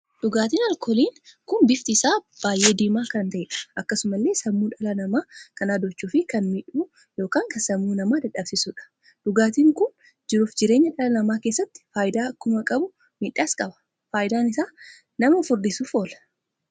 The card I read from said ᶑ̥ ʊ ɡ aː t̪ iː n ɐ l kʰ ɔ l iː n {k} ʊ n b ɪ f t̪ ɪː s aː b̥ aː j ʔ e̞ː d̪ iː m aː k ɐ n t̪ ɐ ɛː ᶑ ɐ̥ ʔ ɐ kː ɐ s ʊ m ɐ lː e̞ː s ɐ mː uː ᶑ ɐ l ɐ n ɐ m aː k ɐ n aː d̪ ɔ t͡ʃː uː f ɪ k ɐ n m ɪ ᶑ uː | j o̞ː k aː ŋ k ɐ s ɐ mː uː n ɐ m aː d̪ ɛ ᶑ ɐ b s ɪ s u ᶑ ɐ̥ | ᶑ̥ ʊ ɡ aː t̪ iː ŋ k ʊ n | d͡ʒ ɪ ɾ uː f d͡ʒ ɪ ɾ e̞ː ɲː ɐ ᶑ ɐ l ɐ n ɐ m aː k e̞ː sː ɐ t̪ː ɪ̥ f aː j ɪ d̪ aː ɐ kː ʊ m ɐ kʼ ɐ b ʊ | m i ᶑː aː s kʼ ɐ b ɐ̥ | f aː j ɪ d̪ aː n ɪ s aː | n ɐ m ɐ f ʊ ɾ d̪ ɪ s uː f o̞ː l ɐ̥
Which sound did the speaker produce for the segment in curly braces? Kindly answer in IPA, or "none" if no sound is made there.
k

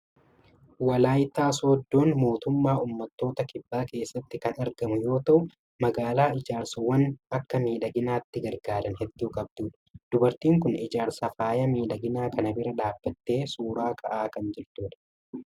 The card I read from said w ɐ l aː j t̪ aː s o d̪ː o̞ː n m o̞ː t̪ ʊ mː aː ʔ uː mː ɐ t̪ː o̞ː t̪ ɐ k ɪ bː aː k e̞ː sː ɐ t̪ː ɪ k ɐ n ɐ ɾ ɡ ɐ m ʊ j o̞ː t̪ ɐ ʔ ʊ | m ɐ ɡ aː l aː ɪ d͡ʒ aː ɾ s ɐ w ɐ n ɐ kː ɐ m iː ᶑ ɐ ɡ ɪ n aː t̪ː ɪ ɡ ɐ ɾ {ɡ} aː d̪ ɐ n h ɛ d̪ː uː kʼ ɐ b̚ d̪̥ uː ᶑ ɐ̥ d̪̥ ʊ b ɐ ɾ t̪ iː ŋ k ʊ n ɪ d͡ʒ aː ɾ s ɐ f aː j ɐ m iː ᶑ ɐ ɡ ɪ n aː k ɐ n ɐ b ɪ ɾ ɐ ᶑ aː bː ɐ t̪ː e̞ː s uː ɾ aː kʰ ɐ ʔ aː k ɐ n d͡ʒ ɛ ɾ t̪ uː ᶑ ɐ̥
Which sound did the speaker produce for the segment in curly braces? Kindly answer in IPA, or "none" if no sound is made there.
ɡ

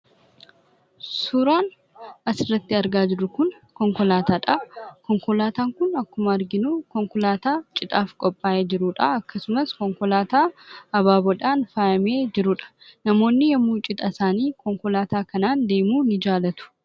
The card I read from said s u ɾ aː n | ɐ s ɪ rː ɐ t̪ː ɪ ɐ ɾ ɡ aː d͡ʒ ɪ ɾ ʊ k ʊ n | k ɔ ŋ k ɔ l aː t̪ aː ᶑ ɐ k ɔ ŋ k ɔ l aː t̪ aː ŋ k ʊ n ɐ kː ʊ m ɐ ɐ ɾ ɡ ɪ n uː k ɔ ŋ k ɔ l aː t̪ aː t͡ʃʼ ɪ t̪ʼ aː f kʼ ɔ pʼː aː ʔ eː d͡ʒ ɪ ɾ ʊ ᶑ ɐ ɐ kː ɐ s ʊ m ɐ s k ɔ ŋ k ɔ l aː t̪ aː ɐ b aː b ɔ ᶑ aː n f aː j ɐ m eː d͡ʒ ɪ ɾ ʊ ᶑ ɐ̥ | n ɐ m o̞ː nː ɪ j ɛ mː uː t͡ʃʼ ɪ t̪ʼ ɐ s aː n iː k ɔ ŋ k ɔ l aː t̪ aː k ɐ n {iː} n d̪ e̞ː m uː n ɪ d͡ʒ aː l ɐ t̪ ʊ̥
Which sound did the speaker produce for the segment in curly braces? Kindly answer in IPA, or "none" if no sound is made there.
aː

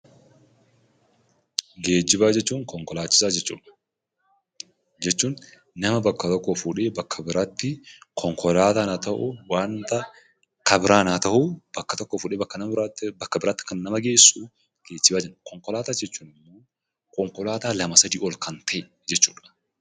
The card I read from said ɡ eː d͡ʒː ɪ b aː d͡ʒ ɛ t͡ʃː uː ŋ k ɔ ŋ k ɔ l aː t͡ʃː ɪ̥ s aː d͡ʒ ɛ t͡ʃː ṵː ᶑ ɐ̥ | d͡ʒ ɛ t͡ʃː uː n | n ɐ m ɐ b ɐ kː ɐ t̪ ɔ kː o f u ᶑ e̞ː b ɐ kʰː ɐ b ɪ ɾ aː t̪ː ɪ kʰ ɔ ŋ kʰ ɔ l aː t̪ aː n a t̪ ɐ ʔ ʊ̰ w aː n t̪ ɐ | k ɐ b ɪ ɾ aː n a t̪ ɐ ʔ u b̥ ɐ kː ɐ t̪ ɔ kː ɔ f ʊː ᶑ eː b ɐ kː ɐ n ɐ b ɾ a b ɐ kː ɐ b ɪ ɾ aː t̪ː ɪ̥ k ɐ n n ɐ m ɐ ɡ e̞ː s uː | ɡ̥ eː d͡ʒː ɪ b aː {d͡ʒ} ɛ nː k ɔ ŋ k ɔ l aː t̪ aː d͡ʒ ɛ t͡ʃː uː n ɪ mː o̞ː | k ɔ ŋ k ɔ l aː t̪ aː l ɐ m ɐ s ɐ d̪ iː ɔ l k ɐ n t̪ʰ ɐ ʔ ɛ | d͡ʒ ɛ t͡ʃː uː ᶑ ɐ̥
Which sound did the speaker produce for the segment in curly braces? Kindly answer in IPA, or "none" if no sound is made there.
d͡ʒ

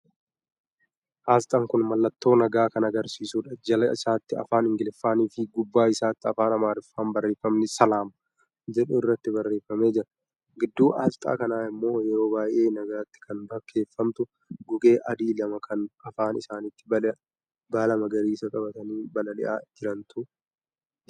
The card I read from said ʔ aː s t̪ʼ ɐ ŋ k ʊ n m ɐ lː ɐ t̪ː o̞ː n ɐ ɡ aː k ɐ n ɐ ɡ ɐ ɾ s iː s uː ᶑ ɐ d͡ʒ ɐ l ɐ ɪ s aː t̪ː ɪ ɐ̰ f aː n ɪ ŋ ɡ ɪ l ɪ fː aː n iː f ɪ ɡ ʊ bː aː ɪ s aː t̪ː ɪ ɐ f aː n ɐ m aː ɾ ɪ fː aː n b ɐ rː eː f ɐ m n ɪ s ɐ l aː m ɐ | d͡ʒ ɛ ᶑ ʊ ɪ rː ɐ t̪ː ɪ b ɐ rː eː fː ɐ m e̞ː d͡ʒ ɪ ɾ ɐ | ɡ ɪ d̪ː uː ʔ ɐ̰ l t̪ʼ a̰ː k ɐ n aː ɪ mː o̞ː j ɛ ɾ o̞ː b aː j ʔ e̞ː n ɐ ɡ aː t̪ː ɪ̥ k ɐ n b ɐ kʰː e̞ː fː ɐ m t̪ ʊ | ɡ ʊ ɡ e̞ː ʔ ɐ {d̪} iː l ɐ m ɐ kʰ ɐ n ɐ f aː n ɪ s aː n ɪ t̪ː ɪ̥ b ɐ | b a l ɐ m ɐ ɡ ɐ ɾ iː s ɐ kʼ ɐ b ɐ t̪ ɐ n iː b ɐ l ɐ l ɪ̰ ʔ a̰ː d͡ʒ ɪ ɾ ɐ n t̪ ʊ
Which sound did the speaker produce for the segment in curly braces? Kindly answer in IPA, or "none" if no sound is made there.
d̪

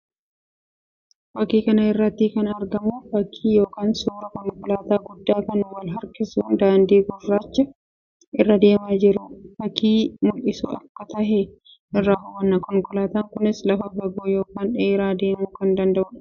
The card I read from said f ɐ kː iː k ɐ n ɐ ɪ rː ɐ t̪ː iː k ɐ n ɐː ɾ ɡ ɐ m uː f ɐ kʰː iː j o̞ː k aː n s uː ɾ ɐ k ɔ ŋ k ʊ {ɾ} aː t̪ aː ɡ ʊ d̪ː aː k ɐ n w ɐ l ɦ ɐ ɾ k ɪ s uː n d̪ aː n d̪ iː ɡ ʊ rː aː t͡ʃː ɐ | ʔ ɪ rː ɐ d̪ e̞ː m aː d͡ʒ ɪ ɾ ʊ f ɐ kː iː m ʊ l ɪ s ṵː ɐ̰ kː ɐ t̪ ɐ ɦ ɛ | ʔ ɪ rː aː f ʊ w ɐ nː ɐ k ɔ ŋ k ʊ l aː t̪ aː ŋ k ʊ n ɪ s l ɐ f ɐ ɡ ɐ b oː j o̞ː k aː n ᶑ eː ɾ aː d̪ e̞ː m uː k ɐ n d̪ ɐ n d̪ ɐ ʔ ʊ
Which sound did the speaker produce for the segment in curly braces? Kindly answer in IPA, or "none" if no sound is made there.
l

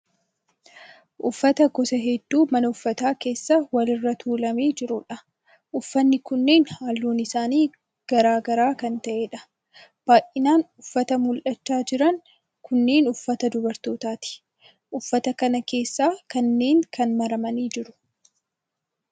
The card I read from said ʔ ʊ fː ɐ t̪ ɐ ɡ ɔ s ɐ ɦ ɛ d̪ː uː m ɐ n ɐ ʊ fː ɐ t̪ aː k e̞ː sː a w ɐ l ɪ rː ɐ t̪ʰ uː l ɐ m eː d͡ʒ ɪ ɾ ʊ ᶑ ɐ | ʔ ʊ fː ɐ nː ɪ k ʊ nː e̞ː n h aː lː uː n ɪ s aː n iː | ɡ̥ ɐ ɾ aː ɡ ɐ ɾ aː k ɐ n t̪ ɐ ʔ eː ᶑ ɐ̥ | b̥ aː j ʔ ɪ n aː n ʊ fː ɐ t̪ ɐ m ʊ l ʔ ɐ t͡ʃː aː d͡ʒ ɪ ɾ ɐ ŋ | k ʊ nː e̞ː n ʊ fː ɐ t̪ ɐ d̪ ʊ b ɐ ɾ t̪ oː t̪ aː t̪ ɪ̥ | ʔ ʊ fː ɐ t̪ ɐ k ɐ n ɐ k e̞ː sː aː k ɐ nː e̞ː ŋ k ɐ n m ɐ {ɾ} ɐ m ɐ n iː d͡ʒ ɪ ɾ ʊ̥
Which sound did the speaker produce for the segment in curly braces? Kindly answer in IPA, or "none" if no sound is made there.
ɾ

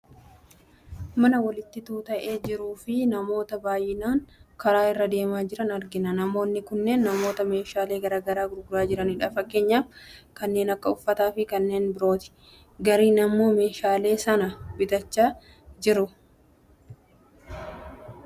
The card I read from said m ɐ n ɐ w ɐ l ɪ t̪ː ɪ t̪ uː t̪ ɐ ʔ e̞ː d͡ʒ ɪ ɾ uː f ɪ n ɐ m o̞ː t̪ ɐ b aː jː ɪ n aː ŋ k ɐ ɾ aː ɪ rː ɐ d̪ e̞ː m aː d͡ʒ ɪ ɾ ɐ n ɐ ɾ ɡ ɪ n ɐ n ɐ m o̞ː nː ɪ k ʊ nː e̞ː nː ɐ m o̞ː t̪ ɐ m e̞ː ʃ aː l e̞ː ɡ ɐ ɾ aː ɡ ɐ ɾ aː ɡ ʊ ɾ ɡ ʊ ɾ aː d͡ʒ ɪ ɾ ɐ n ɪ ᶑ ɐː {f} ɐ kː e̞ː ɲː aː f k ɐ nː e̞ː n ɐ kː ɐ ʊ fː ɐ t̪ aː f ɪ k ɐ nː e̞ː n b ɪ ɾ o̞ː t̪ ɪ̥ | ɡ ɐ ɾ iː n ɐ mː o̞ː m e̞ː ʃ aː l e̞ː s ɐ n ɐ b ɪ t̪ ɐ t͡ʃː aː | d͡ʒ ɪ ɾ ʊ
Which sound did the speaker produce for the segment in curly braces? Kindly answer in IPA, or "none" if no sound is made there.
f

